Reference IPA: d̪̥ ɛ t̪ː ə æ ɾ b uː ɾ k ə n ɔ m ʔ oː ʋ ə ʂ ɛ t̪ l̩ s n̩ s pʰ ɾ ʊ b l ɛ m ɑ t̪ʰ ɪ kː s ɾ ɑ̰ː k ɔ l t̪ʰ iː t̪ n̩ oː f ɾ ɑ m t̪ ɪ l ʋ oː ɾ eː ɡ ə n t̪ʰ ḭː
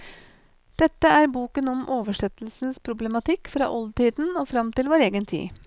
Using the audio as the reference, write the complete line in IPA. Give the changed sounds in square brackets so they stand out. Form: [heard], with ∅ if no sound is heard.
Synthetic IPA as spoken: d̪̥ ɛ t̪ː ə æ ɾ b uː [∅] k ə n ɔ m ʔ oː ʋ ə ʂ ɛ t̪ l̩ s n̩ s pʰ ɾ ʊ b l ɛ m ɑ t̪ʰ ɪ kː [f] ɾ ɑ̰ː [ʔ] ɔ l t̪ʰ iː [d̪] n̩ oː f ɾ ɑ m t̪ ɪ l ʋ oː ɾ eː ɡ ə n t̪ʰ ḭː